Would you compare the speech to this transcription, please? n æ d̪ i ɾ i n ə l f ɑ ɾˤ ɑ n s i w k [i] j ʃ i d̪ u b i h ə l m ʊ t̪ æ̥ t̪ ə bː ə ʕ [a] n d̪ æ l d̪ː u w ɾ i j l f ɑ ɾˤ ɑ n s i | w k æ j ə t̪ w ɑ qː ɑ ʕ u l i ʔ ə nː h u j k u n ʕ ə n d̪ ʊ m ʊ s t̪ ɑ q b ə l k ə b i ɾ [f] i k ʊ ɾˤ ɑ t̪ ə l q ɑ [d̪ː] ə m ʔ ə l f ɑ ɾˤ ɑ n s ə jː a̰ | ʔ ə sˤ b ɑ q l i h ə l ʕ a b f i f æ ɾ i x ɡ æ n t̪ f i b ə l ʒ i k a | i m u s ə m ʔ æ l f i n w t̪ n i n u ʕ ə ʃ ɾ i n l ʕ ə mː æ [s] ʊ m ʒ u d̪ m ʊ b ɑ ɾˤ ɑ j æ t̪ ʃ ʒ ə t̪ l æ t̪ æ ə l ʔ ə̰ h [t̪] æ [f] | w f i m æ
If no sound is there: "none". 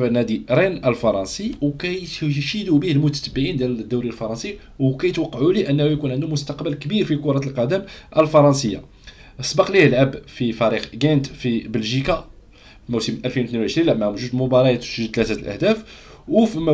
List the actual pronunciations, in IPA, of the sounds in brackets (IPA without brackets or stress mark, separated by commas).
æ, i, f, d̪, h, d̪, f